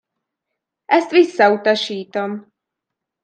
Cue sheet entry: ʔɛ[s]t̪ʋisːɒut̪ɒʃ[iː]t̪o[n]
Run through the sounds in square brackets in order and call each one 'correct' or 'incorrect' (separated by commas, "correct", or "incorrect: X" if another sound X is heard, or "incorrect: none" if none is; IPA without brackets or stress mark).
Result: correct, correct, incorrect: m